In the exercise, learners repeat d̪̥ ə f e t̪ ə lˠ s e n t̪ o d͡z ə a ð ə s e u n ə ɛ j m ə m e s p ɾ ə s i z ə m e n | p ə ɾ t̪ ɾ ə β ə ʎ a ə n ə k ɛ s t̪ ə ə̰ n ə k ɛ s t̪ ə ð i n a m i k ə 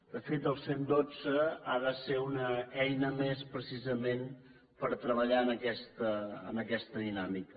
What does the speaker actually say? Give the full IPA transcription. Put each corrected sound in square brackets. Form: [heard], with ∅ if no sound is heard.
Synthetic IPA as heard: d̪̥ ə f e t̪ ə lˠ s e n [d̪] o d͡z ə a ð ə s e u n ə ɛ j [n] ə m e s p ɾ ə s i z ə m e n | p ə ɾ t̪ ɾ ə β ə ʎ a ə n ə k ɛ s t̪ ə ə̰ n ə k ɛ s t̪ ə ð i n a m i k ə